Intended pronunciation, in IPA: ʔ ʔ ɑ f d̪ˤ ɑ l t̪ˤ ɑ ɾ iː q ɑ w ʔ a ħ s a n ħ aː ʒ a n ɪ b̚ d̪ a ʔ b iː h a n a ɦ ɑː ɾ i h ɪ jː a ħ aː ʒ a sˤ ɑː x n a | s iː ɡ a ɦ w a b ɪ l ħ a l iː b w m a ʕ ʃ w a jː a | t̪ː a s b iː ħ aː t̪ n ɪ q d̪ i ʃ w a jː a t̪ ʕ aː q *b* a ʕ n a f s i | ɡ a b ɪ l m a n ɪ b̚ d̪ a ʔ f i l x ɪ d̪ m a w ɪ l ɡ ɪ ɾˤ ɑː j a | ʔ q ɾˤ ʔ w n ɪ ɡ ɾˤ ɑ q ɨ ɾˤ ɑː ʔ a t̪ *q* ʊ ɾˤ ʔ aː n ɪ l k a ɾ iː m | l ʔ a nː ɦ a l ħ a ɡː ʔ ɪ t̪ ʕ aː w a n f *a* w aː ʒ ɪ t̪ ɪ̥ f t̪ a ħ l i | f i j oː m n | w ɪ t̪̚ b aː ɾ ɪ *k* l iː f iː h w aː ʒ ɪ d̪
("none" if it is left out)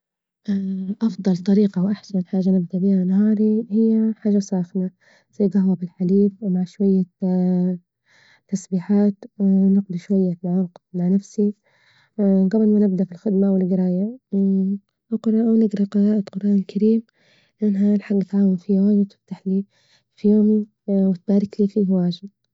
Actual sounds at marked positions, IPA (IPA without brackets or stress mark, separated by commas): m, q, i, k